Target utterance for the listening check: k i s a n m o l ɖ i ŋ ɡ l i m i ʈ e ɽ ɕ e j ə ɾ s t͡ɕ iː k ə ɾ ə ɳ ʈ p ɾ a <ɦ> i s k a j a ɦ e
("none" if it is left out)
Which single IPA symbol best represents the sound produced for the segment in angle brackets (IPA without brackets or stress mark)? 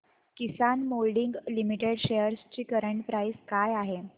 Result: none